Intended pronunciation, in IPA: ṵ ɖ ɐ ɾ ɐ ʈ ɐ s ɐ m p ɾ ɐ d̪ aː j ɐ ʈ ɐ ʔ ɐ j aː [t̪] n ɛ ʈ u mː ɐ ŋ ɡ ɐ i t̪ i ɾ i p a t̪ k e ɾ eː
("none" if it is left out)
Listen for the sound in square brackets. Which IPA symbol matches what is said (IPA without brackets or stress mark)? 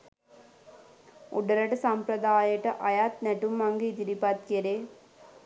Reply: t̪